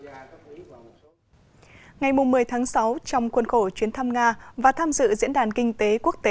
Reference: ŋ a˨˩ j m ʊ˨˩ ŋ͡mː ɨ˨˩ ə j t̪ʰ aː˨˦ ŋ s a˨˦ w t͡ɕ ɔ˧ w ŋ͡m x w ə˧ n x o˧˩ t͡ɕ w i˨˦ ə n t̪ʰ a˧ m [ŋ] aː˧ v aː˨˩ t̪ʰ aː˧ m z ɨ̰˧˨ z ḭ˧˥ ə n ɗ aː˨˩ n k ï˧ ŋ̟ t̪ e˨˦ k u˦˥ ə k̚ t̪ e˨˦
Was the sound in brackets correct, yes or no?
yes